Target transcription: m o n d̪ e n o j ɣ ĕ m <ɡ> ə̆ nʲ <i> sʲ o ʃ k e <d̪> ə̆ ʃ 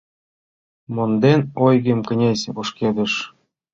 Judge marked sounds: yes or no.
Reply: no, no, yes

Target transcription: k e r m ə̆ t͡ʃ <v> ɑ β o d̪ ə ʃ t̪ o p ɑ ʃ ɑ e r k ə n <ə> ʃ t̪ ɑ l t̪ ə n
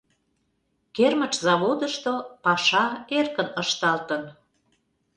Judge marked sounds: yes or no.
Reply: no, yes

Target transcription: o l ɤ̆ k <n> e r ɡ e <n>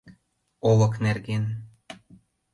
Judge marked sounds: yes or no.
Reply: yes, yes

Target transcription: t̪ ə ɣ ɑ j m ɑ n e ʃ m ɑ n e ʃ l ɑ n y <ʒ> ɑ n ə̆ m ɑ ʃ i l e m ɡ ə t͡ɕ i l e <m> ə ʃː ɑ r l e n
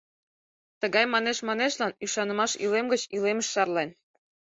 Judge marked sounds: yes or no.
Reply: no, yes

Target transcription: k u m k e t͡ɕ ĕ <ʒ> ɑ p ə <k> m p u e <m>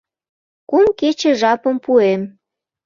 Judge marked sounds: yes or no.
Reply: yes, no, yes

